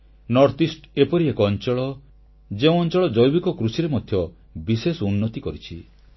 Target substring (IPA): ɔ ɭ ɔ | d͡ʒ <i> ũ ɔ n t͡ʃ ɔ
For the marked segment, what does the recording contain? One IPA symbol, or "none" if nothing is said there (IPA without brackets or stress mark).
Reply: e